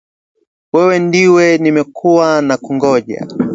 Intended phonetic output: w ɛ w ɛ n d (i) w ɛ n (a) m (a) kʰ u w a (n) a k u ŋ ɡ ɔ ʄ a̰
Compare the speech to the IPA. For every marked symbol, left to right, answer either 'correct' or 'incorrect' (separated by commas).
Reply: correct, incorrect, incorrect, correct